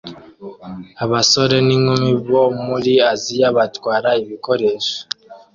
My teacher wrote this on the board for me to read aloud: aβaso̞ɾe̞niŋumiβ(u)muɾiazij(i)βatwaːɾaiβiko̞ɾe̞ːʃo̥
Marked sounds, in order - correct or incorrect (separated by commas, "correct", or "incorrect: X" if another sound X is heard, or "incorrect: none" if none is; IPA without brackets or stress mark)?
incorrect: o, incorrect: a